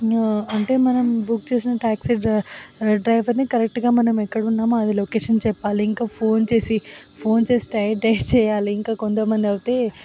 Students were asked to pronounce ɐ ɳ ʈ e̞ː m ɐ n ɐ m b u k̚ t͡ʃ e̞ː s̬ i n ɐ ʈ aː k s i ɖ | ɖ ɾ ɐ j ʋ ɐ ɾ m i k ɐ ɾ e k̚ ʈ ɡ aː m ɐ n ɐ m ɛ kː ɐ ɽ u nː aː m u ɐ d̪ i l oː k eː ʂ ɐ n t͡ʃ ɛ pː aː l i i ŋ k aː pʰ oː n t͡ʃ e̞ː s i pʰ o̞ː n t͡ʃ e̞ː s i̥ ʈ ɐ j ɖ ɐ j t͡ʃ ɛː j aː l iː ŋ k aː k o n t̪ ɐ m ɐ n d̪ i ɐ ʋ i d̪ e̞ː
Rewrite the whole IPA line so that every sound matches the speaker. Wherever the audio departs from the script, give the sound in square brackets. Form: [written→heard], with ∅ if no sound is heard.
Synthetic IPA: ɐ ɳ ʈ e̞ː m ɐ n ɐ m b u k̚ t͡ʃ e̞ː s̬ i n ɐ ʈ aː k s i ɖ | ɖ ɾ ɐ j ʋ ɐ ɾ [m→n] i k ɐ ɾ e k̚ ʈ ɡ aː m ɐ n ɐ m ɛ kː ɐ ɽ u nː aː m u ɐ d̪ i l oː k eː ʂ ɐ n t͡ʃ ɛ pː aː l i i ŋ k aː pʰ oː n t͡ʃ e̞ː s i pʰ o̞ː n t͡ʃ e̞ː s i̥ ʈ ɐ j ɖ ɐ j t͡ʃ ɛː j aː l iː ŋ k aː k o n t̪ ɐ m ɐ n d̪ i ɐ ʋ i [d̪→t̪] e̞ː